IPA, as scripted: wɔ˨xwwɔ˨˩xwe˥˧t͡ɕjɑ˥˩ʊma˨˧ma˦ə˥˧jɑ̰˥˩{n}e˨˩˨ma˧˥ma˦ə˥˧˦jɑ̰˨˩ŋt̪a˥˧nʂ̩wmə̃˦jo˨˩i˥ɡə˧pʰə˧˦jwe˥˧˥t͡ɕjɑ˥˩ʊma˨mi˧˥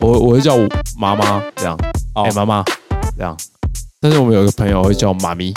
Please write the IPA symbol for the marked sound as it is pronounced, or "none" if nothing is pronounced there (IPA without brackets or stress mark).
ŋ